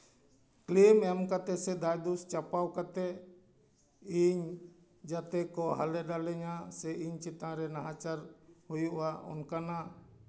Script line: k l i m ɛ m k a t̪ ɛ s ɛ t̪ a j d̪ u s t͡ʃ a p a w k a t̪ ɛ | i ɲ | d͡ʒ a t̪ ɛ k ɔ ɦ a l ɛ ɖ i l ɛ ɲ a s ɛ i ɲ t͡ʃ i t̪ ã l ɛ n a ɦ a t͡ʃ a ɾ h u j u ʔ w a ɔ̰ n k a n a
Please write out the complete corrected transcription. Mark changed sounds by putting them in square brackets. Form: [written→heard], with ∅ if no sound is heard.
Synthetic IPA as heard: k l i m ɛ m k a t̪ ɛ s ɛ [t̪→d̪] a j d̪ u s t͡ʃ a p a w k a t̪ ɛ | i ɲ | d͡ʒ a t̪ ɛ k ɔ ɦ a l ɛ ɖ [i→a] l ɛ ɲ a s ɛ i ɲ t͡ʃ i t̪ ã [l→ɾ] ɛ n a ɦ a t͡ʃ a ɾ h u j u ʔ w a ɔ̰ n k a n a